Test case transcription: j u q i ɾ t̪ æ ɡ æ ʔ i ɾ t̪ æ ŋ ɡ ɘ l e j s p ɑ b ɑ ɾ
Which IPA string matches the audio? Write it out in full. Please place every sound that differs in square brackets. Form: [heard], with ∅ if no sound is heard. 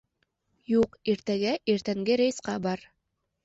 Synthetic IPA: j u q i ɾ t̪ æ ɡ æ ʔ i ɾ t̪ æ ŋ ɡ ɘ [ɾ] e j s [q] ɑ b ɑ ɾ